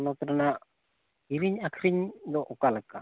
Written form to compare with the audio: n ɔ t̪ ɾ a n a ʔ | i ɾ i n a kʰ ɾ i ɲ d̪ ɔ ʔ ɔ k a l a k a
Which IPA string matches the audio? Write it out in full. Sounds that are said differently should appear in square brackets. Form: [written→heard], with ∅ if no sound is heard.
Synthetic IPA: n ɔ t̪ ɾ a n a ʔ | i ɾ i [n→ɲ] a kʰ ɾ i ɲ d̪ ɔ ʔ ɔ k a l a k a